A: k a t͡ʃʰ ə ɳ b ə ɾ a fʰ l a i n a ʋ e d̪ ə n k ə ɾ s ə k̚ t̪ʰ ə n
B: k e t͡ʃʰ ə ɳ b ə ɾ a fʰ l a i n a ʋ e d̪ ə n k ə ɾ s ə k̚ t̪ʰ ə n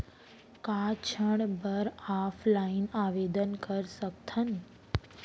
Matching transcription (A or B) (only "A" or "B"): A